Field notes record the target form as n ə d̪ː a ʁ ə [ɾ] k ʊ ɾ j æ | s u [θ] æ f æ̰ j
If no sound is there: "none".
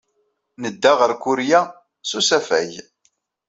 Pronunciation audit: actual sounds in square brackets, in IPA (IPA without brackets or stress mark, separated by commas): ɾ, s